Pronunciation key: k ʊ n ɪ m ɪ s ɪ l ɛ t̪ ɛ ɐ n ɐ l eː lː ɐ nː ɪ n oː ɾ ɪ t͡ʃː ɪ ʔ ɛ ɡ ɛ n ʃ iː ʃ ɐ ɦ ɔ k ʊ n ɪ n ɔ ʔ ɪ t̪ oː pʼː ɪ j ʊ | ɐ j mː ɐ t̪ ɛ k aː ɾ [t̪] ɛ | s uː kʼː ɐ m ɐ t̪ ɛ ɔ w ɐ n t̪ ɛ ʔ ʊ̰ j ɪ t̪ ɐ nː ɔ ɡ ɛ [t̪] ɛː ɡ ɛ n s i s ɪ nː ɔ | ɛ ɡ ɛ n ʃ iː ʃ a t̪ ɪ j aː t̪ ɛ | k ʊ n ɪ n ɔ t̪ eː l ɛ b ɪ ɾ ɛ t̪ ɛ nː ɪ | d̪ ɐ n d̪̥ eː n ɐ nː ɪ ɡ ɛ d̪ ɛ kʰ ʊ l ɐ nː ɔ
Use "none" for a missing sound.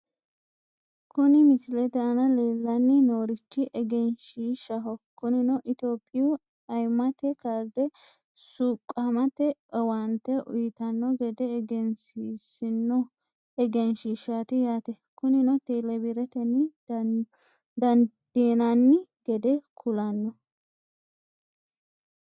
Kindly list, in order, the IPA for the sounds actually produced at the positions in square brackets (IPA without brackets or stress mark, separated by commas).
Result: d̪, d̪